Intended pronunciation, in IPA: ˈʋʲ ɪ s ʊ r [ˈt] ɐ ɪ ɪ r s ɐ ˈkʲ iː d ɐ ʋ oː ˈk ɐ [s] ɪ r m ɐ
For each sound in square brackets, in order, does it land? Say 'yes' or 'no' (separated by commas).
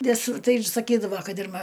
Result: yes, no